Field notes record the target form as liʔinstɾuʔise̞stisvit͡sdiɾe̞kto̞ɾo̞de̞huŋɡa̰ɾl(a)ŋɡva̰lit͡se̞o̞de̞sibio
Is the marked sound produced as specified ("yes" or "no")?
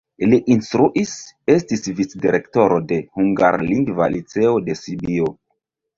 no